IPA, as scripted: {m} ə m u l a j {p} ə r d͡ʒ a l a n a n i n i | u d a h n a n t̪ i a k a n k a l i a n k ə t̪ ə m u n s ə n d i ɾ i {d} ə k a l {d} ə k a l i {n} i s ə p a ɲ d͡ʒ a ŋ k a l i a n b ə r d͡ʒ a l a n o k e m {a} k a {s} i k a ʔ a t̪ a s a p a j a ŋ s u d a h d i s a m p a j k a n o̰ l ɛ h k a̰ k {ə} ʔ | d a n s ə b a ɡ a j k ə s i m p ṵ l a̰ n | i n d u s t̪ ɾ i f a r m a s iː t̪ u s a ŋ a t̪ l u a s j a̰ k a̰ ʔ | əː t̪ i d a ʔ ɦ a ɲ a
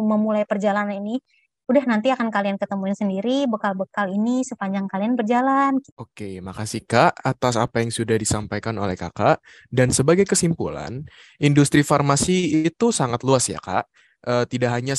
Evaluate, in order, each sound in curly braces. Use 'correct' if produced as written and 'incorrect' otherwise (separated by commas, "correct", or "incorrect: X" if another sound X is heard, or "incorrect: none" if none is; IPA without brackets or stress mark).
correct, correct, incorrect: b, incorrect: b, correct, correct, correct, incorrect: a